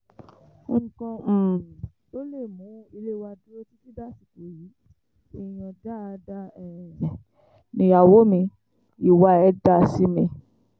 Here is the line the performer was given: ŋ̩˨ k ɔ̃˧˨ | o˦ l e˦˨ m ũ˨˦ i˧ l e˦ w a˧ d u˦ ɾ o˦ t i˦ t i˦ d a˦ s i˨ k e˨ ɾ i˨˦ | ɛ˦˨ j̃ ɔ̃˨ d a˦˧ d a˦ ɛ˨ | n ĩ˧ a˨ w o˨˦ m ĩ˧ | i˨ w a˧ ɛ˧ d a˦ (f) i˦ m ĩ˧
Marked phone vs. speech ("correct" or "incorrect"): incorrect